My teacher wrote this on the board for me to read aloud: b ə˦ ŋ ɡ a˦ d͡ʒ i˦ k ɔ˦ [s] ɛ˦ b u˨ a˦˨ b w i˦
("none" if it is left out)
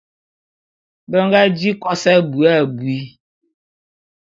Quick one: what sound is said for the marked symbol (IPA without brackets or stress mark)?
s